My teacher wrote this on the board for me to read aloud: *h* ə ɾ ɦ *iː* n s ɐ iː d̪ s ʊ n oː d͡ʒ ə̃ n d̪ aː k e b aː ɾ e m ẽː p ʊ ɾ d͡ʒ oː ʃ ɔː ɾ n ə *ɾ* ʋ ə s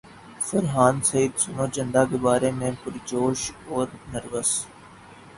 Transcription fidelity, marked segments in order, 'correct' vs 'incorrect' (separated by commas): incorrect, incorrect, correct